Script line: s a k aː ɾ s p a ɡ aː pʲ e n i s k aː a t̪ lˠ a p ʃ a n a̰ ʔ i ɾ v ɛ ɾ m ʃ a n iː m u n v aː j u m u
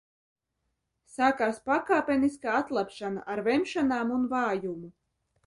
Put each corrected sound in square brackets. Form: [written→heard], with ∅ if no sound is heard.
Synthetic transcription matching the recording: s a k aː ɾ s p a [ɡ→k] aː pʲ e n i s k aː a t̪ lˠ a p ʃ a n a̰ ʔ [i→a] ɾ v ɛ [ɾ→∅] m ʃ a n [iː→aː] m u n v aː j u m u